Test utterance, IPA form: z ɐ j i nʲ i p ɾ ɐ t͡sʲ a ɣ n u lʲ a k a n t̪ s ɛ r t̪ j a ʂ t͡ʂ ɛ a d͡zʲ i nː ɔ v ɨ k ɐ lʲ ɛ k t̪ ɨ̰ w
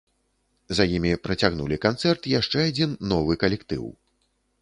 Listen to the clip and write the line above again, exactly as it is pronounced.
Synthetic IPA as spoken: z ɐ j i mʲ i p ɾ ɐ t͡sʲ a ɣ n u lʲ i k a n t̪ s ɛ r t̪ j a ʂ t͡ʂ ɛ a d͡zʲ i nː ɔ v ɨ k ɐ lʲ ɛ k t̪ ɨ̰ w

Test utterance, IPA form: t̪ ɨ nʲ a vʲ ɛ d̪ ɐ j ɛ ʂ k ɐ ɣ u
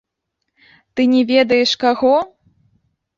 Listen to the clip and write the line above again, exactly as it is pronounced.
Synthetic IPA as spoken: t̪ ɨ nʲ ɛ vʲ ɛ d̪ ɐ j ɛ ʂ k a ɣ ɔ

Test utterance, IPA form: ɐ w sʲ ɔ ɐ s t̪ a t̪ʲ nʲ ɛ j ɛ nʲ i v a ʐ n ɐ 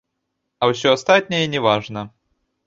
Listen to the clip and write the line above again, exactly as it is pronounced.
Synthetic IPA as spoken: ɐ w sʲ ɔ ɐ s t̪ a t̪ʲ nʲ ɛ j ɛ nʲ ɛ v a ʐ n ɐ

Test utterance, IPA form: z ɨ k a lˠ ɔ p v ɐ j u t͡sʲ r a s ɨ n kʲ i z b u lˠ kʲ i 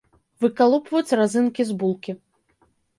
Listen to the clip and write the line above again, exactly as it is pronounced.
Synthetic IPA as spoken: v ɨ k a lˠ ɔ p v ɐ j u t͡sʲ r a z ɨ n kʲ i z b u lˠ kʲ i

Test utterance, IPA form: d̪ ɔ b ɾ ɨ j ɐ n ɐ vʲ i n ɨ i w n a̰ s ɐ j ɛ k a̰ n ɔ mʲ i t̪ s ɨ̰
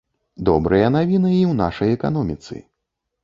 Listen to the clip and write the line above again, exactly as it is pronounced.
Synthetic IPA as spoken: d̪ ɔ b ɾ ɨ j ɐ n a vʲ i n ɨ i w n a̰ ʂ ɐ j ɛ k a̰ n ɔ mʲ i t̪ s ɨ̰

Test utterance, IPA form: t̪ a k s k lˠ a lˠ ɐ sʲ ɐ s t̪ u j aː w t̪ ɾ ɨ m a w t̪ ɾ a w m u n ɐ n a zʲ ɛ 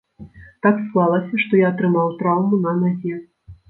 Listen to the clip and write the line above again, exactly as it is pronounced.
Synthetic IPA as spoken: t̪ a k s k lˠ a lˠ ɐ sʲ ɐ ʂ t̪ ɔ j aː t̪ ɾ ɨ m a w t̪ ɾ a w m u n ɐ n a zʲ ɛ

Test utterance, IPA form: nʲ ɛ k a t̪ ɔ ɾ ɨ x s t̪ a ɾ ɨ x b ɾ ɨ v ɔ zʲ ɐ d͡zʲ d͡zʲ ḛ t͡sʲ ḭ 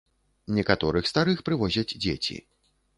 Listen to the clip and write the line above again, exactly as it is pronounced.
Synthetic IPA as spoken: nʲ ɛ k a t̪ ɔ ɾ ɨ x s t̪ a ɾ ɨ x p ɾ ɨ v ɔ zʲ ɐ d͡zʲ d͡zʲ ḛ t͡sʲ ḭ

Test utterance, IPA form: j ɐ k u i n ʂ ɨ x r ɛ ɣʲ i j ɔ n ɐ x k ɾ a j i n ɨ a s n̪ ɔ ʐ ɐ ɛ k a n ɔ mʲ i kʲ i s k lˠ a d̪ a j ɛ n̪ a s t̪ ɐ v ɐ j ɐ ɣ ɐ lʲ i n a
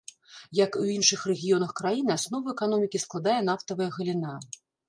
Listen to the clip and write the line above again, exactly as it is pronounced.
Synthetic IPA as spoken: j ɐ k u i n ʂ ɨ x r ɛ ɣʲ i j ɔ n ɐ x k ɾ a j i n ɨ a s n̪ ɔ v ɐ ɛ k a n ɔ mʲ i kʲ i s k lˠ a d̪ a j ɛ n̪ a f t̪ ɐ v ɐ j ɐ ɣ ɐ lʲ i n a

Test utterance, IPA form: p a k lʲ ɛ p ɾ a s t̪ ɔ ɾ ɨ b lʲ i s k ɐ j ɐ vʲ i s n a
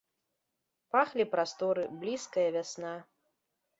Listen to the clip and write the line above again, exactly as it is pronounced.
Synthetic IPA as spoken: p a x lʲ i p ɾ a s t̪ ɔ ɾ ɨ b lʲ i s k ɐ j ɐ vʲ a s n a

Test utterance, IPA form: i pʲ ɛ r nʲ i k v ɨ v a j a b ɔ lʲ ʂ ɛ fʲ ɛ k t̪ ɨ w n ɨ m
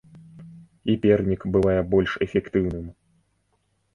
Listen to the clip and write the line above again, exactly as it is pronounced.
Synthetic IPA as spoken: i pʲ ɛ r nʲ i k b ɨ v a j ɛ b ɔ lʲ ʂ ɛ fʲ ɛ k t̪ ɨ w n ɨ m

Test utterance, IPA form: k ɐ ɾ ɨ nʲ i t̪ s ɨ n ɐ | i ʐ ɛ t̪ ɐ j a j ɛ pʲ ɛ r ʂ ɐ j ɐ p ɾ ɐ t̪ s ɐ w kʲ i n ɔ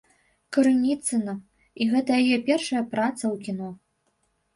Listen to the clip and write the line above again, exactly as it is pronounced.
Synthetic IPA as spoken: k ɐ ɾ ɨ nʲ i t̪ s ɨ n ɐ | i ɣ ɛ t̪ ɐ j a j ɛ pʲ ɛ r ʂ ɐ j ɐ p ɾ a t̪ s ɐ w kʲ i n ɔ

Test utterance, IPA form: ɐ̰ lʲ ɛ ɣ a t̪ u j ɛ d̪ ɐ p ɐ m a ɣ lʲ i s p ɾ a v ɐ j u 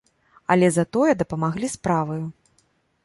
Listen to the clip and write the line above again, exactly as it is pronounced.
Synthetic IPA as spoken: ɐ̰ lʲ ɛ z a t̪ ɔ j ɛ d̪ ɐ p ɐ m a ɣ lʲ i s p ɾ a v ɐ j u

